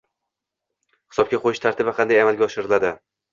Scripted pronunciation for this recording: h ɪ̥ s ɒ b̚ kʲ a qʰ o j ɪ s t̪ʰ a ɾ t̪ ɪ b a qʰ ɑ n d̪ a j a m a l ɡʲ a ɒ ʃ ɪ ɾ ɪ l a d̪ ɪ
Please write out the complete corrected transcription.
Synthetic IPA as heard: h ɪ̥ s ɒ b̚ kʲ a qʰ o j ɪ ʃ t̪ʰ a ɾ t̪ ɪ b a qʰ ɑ n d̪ a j a m a l ɡʲ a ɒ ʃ ɪ ɾ ɪ l a d̪ ɪ

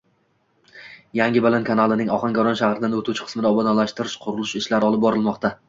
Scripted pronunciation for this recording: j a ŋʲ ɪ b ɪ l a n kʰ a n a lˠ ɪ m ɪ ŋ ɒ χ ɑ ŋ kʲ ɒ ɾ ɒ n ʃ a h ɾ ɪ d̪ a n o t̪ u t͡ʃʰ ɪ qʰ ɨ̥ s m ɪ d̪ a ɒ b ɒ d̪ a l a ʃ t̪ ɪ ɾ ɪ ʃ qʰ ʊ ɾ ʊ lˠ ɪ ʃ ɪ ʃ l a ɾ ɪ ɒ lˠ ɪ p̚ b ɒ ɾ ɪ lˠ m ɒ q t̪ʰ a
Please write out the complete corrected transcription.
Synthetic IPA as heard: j a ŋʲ ɪ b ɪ l a n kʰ a n a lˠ ɪ n ɪ ŋ ɒ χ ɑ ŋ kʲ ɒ ɾ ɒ n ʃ a h ɾ ɪ d̪ a n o t̪ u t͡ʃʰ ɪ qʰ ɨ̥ s m ɪ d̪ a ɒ b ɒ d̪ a l a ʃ t̪ ɪ ɾ ɪ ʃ qʰ ʊ ɾ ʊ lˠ ɪ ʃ ɪ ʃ l a ɾ ɪ ɒ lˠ ɪ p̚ b ɒ ɾ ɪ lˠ m ɒ q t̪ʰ a

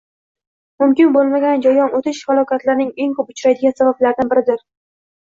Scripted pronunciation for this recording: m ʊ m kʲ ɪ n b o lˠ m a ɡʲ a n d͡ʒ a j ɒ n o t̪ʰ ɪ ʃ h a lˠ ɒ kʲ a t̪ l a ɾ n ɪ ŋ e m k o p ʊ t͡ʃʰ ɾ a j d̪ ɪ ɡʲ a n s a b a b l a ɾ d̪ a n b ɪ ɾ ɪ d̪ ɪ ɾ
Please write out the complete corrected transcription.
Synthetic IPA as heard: m ʊ m kʲ ɪ n b o lˠ m a ɡʲ a n d͡ʒ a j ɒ n o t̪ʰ ɪ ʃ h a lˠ ɒ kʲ a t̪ l a ɾ n ɪ ŋ e ŋ k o p ʊ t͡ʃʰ ɾ a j d̪ ɪ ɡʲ a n s a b a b l a ɾ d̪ a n b ɪ ɾ ɪ d̪ ɪ ɾ

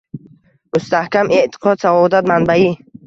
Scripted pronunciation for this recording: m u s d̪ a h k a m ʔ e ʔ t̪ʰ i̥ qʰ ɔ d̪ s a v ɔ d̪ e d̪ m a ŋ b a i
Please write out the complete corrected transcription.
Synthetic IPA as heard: m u s t̪ a h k a m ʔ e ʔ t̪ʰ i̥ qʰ ɔ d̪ s a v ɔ d̪ a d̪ m a n b a i

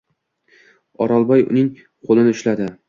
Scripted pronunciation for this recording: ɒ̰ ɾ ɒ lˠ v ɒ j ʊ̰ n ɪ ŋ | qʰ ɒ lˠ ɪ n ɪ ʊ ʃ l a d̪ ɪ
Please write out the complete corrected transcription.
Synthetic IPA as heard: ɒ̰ ɾ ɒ lˠ b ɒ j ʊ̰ n ɪ ŋ | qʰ o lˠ ɪ n ɪ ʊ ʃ l a d̪ ɪ

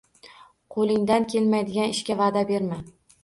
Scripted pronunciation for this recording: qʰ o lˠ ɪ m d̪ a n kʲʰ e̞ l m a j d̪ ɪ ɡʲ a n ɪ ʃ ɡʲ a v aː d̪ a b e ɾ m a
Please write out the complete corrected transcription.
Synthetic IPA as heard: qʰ o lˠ ɪ ŋ d̪ a n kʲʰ e̞ l m a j d̪ ɪ ɡʲ a n ɪ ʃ kʲ a v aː d̪ a b e ɾ m a

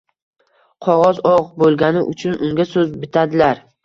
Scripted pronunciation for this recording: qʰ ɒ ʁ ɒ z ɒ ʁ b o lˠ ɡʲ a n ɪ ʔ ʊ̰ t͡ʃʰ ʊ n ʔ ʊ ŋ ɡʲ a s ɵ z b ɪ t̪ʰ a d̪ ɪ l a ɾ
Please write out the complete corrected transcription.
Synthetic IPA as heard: qʰ ɒ ʁ ɒ z ɒ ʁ b o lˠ ɡʲ a n ɪ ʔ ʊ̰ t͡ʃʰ ʊ n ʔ ʊ ŋ ɡʲ a s ɵ z b ɪ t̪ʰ a d̪ ɪ l a ɾ

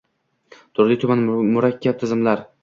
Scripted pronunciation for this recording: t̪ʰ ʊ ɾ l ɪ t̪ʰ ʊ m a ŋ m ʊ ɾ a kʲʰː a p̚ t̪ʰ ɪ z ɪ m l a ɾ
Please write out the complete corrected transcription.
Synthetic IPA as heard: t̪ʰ ʊ ɾ l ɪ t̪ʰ ʊ m a n m ʊ ɾ a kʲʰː a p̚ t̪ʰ ɪ z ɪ m l a ɾ

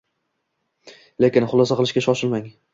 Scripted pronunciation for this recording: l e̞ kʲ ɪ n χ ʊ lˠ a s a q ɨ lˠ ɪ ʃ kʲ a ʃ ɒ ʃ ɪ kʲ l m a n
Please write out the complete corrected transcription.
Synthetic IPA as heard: l e̞ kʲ ɪ n χ ʊ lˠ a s a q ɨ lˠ ɪ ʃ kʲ a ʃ ɒ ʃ ɪ l m a ŋ

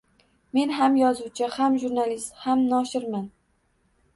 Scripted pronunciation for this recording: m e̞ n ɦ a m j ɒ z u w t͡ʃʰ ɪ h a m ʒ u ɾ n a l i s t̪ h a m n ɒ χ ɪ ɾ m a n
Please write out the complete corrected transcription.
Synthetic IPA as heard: m e̞ n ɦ a m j ɒ z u w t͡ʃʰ ɪ h a m ʒ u ɾ n a l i s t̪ h a m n ɒ ʃ ɪ ɾ m a n

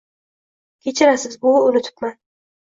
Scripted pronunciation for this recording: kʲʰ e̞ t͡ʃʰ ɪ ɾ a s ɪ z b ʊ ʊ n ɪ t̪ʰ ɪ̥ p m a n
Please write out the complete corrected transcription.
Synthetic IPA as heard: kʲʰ e̞ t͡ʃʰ ɪ ɾ a s ɪ z b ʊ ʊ n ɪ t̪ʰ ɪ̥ p m a n

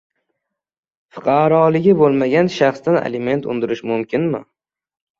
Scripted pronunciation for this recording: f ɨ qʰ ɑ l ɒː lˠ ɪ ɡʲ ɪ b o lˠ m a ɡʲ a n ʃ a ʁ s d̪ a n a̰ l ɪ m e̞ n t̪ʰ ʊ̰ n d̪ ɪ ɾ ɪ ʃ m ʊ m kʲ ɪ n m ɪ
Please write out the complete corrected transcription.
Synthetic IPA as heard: f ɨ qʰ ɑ ɾ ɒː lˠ ɪ ɡʲ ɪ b o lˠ m a ɡʲ a n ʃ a χ s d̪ a n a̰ l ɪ m e̞ n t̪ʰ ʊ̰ n d̪ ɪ ɾ ɪ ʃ m ʊ m kʲ ɪ n m ɪ

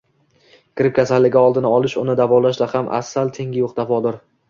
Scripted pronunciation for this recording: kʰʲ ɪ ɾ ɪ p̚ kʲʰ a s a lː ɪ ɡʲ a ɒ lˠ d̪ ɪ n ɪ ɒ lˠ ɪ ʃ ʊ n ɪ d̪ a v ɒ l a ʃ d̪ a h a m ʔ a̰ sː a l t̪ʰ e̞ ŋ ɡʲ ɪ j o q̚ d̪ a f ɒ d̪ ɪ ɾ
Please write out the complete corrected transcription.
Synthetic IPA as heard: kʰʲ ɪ ɾ ɪ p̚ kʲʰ a s a lː ɪ ɡʲ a ɒ lˠ d̪ ɪ n ɪ ɒ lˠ ɪ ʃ ʊ n ɪ d̪ a v ɒ l a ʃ d̪ a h a m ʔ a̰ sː a l t̪ʰ e̞ ŋ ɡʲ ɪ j o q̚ d̪ a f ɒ d̪ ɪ ɾ

